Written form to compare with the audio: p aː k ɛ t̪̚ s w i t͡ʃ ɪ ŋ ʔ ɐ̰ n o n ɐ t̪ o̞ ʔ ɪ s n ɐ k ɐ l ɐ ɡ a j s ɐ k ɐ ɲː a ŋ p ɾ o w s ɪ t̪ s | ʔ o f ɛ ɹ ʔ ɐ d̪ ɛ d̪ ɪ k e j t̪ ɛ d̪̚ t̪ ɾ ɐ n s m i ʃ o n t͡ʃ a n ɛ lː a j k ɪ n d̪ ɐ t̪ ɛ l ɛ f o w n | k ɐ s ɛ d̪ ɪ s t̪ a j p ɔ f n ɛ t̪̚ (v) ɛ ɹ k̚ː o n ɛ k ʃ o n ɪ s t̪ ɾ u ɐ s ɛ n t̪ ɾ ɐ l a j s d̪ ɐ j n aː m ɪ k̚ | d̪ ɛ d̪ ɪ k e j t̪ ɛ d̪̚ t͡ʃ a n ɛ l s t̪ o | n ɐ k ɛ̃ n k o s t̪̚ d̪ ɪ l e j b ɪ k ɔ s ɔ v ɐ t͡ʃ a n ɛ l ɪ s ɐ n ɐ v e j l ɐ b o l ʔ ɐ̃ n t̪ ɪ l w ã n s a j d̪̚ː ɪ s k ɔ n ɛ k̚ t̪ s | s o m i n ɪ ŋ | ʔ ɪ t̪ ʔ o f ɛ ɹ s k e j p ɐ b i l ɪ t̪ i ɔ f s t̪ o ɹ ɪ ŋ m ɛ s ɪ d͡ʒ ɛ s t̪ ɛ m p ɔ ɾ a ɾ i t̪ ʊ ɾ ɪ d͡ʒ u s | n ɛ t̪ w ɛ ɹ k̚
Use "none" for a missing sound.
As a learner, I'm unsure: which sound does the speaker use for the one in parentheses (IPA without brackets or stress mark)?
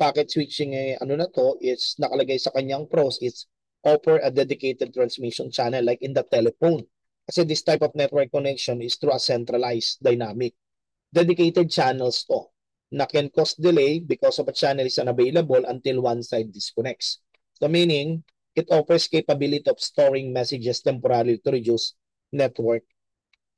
w